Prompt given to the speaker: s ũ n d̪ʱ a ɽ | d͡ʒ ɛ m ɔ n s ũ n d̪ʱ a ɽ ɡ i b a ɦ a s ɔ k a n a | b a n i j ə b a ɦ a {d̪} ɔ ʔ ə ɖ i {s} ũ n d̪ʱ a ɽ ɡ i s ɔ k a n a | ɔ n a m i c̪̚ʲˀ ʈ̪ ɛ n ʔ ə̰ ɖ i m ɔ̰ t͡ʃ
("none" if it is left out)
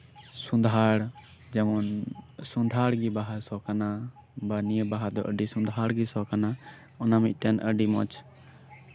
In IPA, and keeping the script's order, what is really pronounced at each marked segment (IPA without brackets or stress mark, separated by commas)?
d̪, s